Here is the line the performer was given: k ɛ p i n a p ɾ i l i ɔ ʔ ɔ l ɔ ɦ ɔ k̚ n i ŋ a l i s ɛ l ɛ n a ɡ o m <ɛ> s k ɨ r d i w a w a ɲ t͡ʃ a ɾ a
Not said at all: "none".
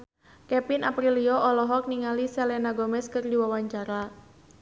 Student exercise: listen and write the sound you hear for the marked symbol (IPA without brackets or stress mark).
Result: ɛ